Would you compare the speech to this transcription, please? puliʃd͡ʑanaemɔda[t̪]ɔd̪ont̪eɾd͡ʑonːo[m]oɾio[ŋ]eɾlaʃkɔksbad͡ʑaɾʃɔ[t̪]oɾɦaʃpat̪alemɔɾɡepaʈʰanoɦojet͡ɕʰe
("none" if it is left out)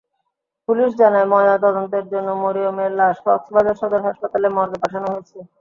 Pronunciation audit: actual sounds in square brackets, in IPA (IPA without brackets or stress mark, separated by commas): t̪, m, m, d̪